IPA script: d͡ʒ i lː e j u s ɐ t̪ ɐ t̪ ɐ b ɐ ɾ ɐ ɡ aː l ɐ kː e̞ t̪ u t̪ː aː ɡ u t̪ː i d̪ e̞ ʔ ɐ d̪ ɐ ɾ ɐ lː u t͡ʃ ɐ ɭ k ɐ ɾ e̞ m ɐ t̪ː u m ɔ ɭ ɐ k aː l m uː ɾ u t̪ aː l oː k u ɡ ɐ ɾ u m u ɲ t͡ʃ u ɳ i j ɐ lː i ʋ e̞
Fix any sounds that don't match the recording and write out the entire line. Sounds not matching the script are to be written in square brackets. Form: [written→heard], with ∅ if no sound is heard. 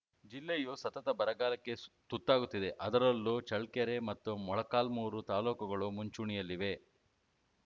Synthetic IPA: d͡ʒ i lː e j u s ɐ t̪ ɐ t̪ ɐ b ɐ ɾ ɐ ɡ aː l ɐ kː e̞ t̪ u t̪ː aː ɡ u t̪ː i d̪ e̞ ʔ ɐ d̪ ɐ ɾ ɐ lː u t͡ʃ ɐ ɭ k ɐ ɾ e̞ m ɐ t̪ː u m ɔ ɭ ɐ k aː l m uː ɾ u t̪ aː l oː k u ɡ ɐ [ɾ→ɭ] u m u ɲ t͡ʃ u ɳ i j ɐ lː i ʋ e̞

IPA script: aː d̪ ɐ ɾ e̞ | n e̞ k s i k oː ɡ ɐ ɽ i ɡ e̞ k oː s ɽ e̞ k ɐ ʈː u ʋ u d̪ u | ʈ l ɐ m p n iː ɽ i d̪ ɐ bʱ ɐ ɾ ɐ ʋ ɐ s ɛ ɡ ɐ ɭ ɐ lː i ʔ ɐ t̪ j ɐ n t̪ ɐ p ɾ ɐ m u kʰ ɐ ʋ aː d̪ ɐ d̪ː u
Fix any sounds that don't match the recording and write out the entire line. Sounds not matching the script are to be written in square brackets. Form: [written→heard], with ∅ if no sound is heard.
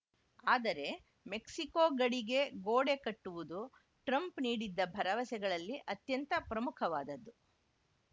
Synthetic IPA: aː d̪ ɐ ɾ e̞ | [n→m] e̞ k s i k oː ɡ ɐ ɽ i ɡ e̞ [k→ɡ] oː [s→∅] ɽ e̞ k ɐ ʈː u ʋ u d̪ u | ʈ [l→ɾ] ɐ m p n iː ɽ i [d̪→d̪ː] ɐ bʱ ɐ ɾ ɐ ʋ ɐ s ɛ ɡ ɐ ɭ ɐ lː i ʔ ɐ t̪ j ɐ n t̪ ɐ p ɾ ɐ m u kʰ ɐ ʋ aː d̪ ɐ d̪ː u

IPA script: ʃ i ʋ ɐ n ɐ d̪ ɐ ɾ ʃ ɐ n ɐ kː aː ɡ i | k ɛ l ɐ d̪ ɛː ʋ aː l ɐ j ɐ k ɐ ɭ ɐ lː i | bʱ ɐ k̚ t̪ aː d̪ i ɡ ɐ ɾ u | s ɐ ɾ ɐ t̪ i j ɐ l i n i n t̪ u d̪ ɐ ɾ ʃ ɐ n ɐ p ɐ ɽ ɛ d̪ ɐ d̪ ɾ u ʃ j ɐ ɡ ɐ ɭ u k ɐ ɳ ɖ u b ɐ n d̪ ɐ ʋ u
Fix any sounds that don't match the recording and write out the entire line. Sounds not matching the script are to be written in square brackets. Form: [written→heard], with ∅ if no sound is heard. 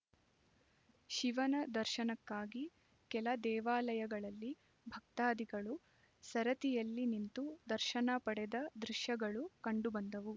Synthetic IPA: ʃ i ʋ ɐ n ɐ d̪ ɐ ɾ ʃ ɐ n ɐ kː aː ɡ i | k ɛ l ɐ d̪ ɛː ʋ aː l ɐ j ɐ [k→ɡ] ɐ ɭ ɐ lː i | bʱ ɐ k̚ t̪ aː d̪ i ɡ ɐ [ɾ→ɭ] u | s ɐ ɾ ɐ t̪ i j ɐ [l→lː] i n i n t̪ u d̪ ɐ ɾ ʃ ɐ n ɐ p ɐ ɽ ɛ d̪ ɐ d̪ ɾ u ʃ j ɐ ɡ ɐ ɭ u k ɐ ɳ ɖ u b ɐ n d̪ ɐ ʋ u

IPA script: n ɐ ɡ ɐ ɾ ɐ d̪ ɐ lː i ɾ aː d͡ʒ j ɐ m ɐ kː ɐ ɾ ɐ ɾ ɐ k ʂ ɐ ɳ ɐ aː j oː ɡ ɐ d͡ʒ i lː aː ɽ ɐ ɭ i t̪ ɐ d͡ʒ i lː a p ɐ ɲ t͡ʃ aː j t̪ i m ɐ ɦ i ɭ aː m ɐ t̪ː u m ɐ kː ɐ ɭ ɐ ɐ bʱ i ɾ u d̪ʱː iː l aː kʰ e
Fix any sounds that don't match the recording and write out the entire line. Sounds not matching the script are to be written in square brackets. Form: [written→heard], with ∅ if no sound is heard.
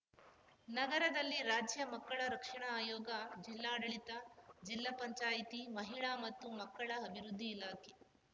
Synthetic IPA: n ɐ ɡ ɐ ɾ ɐ d̪ ɐ lː i ɾ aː d͡ʒ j ɐ m ɐ kː ɐ [ɾ→ɭ] ɐ ɾ ɐ k ʂ ɐ ɳ ɐ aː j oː ɡ ɐ d͡ʒ i lː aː ɽ ɐ ɭ i t̪ ɐ d͡ʒ i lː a p ɐ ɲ t͡ʃ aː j t̪ i m ɐ ɦ i ɭ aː m ɐ t̪ː u m ɐ kː ɐ ɭ ɐ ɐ bʱ i ɾ u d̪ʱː iː l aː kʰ e

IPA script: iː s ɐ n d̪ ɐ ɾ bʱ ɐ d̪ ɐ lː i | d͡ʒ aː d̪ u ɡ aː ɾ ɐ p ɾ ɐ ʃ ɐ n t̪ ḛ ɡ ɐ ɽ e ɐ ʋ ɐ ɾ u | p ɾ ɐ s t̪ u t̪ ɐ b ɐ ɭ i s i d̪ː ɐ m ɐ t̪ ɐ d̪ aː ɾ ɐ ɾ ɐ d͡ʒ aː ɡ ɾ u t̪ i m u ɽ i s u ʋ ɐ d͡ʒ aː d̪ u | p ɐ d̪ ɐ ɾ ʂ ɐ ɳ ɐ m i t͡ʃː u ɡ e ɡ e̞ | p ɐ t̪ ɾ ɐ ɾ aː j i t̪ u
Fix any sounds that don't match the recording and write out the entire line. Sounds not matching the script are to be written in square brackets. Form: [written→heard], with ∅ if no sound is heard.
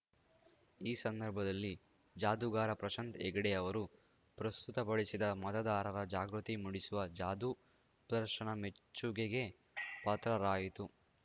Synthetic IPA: iː s ɐ n d̪ ɐ ɾ bʱ ɐ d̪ ɐ lː i | d͡ʒ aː d̪ u ɡ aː ɾ ɐ p ɾ ɐ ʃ ɐ n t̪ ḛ ɡ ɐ ɽ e ɐ ʋ ɐ ɾ u | p ɾ ɐ s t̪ u t̪ ɐ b ɐ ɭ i s i [d̪ː→d̪] ɐ m ɐ t̪ ɐ d̪ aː ɾ ɐ ɾ ɐ d͡ʒ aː ɡ ɾ u t̪ i m u ɽ i s u ʋ ɐ d͡ʒ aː d̪ u | p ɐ d̪ ɐ ɾ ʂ ɐ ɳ ɐ m [i→e] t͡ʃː u ɡ e ɡ e̞ | p ɐ t̪ ɾ ɐ ɾ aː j i t̪ u

